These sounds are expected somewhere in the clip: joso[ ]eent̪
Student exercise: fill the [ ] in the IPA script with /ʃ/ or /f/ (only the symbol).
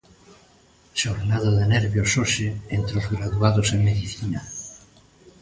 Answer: ʃ